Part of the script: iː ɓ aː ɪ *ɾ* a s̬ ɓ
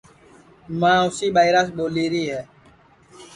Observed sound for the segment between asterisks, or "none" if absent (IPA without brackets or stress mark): ɾ